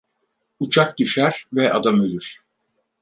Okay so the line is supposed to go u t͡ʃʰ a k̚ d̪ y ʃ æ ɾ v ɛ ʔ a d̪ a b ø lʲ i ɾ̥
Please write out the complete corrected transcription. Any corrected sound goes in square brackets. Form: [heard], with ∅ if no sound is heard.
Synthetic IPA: u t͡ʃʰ a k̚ d̪ y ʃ æ ɾ v ɛ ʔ a d̪ a [m] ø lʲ [y] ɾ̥